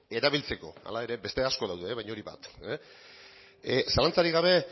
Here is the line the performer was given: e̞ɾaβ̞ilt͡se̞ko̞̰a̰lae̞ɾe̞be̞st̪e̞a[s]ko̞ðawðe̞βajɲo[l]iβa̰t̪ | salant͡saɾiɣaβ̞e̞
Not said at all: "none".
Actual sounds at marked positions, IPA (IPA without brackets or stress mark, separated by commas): s, ɾ